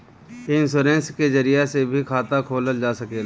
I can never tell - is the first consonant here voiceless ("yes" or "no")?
no